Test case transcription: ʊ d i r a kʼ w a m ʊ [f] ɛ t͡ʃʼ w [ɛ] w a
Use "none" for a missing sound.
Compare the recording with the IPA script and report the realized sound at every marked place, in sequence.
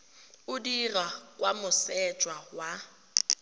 s, a

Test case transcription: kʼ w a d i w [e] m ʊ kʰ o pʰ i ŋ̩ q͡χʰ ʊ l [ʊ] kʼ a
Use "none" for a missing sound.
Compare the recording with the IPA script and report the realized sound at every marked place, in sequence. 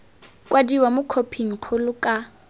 a, ʊ

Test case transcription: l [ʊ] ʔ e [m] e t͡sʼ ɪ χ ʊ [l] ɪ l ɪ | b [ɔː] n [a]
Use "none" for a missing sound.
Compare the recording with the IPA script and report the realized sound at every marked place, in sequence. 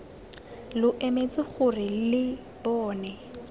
ʊ, m, r, ɔː, ɛ

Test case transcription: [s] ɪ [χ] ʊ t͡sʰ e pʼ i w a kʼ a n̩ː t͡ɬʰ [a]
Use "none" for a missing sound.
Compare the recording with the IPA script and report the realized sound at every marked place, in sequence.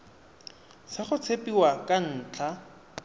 s, χ, a

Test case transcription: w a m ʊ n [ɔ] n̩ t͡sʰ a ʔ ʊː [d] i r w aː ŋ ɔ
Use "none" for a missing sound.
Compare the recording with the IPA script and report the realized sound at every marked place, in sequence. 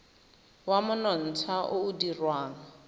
ɔ, d

